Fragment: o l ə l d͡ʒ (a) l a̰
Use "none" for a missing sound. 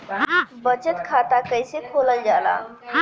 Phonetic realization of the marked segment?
a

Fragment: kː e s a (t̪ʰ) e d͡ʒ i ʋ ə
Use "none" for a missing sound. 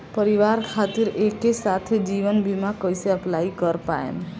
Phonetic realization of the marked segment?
t̪ʰ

